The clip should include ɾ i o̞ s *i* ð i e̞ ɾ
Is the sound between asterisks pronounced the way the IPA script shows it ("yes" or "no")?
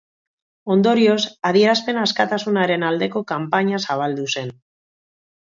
no